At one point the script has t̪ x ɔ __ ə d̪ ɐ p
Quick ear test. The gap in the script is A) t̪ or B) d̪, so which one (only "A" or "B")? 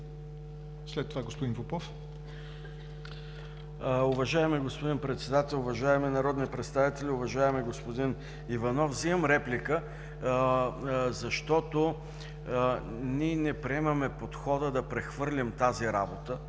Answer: B